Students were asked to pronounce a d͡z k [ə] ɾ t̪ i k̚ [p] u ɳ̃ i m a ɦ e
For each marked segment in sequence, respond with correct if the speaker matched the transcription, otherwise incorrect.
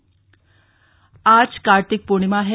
incorrect: a, correct

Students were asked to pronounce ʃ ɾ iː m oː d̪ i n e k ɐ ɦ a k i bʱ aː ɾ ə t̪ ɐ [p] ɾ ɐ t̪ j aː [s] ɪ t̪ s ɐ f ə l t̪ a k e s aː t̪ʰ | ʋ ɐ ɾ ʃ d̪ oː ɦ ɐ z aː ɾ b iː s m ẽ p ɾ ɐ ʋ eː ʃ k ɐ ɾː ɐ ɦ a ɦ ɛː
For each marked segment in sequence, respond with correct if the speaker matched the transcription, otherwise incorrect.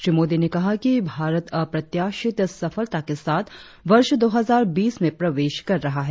correct, incorrect: ʃ

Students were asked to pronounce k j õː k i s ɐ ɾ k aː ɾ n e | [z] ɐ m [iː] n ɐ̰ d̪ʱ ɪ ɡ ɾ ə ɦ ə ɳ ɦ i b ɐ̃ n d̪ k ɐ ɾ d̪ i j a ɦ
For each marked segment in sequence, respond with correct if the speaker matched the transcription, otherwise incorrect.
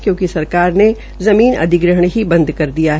correct, correct

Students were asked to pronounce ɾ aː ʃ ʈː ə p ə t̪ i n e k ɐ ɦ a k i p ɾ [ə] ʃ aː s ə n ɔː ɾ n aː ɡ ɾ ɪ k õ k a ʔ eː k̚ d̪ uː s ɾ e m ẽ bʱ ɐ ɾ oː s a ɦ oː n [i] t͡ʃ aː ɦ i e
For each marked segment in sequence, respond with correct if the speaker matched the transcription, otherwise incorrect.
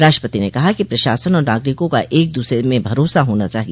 incorrect: ɐ, incorrect: a

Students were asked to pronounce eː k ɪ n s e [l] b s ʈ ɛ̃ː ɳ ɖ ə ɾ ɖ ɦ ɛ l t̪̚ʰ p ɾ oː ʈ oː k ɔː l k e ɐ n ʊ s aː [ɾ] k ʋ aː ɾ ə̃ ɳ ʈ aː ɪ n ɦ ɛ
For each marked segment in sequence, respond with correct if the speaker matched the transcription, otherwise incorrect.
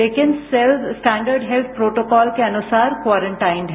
correct, correct

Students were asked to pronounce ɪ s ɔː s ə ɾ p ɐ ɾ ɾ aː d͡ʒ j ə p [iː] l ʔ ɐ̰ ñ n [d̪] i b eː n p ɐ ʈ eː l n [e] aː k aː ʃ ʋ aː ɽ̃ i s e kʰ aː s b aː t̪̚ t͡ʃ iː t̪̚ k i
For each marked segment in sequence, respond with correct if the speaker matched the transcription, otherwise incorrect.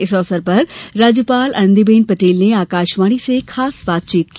incorrect: aː, correct, correct

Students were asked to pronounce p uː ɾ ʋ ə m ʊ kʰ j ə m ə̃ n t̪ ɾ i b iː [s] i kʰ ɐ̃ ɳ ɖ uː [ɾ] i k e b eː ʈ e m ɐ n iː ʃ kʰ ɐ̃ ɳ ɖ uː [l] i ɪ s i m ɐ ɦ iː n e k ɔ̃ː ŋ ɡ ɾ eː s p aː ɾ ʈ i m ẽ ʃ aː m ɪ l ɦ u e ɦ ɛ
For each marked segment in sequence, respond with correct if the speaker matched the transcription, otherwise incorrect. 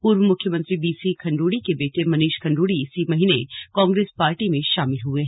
correct, incorrect: ɽ, incorrect: ɽ

